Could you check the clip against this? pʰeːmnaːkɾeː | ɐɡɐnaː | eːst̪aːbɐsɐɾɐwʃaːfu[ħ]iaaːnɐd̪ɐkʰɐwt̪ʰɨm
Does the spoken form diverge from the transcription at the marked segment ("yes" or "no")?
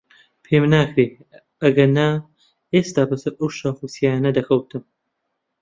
yes